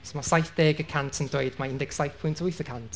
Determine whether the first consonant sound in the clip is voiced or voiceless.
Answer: voiceless